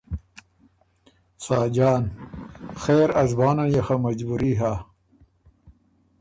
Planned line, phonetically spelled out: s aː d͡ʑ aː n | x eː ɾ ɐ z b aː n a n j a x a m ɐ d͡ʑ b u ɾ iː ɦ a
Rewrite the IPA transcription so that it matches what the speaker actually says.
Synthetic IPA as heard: s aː d͡ʑ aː n | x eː ɾ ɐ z b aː n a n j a x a m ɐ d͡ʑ b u ɾ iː ɦ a

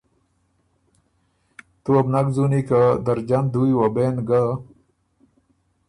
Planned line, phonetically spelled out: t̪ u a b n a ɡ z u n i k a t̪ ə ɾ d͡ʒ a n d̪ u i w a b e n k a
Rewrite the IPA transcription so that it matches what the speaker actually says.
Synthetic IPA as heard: t̪ u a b n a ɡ z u n i k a d̪ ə ɾ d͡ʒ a n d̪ u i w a b e n ɡ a

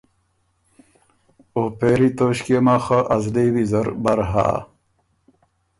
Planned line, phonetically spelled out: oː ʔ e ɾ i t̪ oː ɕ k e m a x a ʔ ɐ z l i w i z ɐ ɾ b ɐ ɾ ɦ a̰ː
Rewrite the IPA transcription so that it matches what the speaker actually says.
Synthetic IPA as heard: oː p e ɾ i t̪ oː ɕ k e m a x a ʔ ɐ z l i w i z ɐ ɾ b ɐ ɾ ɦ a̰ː

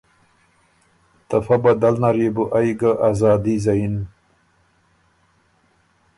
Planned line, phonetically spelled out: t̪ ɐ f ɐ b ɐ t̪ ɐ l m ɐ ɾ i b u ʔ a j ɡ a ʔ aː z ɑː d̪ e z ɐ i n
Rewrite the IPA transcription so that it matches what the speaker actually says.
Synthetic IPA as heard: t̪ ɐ f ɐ b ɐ d̪ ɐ l n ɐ ɾ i b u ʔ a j ɡ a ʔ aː z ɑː d̪ i z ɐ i n

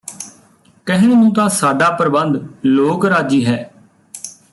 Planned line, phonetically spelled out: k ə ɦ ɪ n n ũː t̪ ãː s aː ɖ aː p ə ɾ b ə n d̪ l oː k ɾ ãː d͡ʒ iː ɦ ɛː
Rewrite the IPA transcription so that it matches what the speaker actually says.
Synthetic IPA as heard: k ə ɦ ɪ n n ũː t̪ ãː s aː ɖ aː p ə ɾ b ə n d̪ l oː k ɾ aː d͡ʒ iː ɦ ɛː

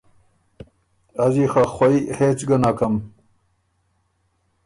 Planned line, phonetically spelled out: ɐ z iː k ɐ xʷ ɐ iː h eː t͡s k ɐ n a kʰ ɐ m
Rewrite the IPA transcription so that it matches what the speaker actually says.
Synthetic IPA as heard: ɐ z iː x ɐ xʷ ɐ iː h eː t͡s ɡ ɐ n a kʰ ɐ m

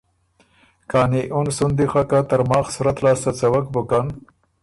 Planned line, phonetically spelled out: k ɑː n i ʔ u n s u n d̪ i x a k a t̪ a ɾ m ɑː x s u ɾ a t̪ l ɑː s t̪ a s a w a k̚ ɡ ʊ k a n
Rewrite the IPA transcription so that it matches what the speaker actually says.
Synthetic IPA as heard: k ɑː n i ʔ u n s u n d̪ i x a k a t̪ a ɾ m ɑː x s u ɾ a t̪ l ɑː s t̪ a t͡s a w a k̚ b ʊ k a n

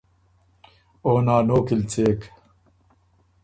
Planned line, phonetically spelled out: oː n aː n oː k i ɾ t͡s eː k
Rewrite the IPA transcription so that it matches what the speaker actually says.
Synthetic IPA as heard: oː n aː n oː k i l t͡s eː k

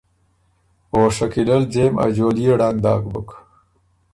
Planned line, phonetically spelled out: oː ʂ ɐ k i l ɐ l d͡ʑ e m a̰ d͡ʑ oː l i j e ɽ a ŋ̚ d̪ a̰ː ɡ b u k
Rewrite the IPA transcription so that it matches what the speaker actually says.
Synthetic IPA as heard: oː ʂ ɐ k i l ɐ l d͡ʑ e m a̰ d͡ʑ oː l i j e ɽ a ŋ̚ d̪ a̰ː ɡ b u k

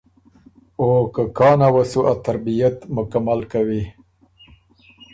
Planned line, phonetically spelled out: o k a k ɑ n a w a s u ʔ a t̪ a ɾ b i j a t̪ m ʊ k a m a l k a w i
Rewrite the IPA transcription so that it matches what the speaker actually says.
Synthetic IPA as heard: o k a k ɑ n a w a s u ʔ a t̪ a ɾ b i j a t̪ m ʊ k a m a l k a w i

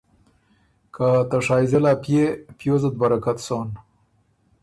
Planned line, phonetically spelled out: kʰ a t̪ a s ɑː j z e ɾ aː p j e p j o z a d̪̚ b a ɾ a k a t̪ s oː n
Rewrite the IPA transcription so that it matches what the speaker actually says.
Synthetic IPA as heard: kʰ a t̪ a ʂ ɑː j z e l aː p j e p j o z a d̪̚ b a ɾ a k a t̪ s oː n

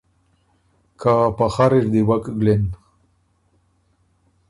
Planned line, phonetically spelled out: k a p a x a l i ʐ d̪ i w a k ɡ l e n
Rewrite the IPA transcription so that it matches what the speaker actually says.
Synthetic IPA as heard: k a p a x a ɾ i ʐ d̪ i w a k ɡ l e n

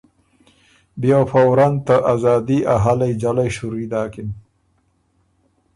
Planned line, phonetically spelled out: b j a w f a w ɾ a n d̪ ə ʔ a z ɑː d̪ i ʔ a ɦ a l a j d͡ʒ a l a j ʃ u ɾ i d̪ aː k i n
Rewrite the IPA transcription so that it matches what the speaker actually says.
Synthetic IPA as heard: b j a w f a w ɾ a n t̪ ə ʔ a z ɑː d̪ i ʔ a ɦ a l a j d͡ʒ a l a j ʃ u ɾ i d̪ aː k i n

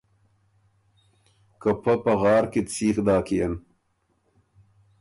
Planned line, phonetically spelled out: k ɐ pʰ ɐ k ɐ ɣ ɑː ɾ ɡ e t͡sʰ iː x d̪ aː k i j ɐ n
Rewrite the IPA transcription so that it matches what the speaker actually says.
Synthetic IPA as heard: k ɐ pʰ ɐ p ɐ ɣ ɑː ɾ k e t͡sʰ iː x d̪ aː k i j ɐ n

